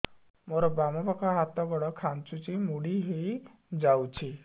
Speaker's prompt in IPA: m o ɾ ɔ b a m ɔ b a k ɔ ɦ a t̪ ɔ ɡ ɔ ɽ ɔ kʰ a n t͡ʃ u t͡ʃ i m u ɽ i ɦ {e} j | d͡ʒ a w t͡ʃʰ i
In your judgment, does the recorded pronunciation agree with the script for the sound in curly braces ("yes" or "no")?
yes